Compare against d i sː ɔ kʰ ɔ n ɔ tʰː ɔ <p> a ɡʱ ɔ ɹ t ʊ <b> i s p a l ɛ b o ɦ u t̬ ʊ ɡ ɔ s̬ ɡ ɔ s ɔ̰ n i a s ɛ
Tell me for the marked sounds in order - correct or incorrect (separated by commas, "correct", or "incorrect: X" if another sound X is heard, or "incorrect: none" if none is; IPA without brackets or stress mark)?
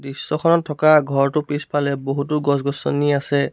incorrect: k, incorrect: p